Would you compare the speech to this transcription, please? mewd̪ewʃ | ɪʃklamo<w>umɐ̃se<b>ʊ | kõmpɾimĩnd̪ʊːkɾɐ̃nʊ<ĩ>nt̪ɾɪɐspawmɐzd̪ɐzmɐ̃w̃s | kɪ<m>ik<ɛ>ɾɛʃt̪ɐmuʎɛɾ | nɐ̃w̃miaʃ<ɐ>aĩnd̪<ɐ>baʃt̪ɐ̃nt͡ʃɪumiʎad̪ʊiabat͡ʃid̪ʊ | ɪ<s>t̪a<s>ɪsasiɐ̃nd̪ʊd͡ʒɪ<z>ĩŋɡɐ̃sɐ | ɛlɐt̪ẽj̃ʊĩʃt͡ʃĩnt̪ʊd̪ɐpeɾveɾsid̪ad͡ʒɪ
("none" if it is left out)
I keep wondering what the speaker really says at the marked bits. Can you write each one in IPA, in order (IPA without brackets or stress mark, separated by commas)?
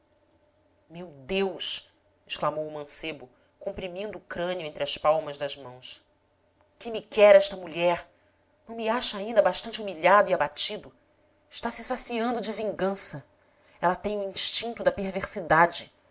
w, b, ẽ, m, ɛ, ɐ, ɐ, ʃ, s, v